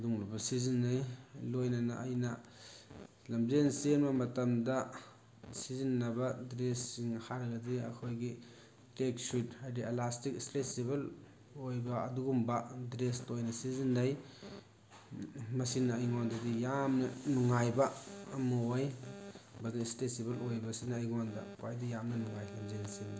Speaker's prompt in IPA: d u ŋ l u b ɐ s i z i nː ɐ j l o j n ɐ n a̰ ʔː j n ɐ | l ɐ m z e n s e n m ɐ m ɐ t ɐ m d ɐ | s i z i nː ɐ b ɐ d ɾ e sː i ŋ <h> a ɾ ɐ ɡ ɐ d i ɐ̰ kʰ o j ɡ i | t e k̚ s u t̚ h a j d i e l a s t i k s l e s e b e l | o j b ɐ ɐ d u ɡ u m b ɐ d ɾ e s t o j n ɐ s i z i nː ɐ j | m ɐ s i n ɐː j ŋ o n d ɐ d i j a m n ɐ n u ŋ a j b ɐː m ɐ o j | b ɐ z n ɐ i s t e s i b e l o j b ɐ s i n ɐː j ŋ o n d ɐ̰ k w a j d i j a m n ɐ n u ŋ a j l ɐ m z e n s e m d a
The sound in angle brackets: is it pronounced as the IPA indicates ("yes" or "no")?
yes